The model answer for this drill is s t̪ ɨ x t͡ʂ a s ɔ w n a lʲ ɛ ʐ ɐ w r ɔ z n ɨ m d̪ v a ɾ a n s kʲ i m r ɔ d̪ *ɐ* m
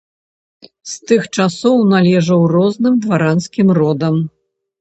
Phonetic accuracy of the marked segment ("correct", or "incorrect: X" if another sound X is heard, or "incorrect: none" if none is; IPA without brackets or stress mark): correct